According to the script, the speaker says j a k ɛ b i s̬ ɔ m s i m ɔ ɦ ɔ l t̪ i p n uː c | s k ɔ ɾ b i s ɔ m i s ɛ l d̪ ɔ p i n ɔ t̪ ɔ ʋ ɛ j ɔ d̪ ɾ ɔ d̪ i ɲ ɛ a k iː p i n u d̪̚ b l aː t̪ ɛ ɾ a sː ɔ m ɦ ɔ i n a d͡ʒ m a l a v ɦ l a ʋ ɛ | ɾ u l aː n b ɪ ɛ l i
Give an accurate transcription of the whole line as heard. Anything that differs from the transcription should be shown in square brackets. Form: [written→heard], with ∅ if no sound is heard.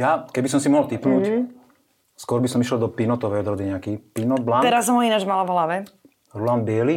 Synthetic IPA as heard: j a k ɛ b i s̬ ɔ m s i m ɔ ɦ ɔ l t̪ i p n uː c | s k ɔ ɾ b i s ɔ m i [s→ʃ] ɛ l d̪ ɔ p i n ɔ t̪ ɔ ʋ ɛ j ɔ d̪ ɾ ɔ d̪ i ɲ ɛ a k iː p i n [u→ɔ] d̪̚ b l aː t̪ ɛ ɾ a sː ɔ m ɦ ɔ i n a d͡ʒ m a l a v ɦ l a ʋ ɛ | ɾ u l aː n b ɪ ɛ l i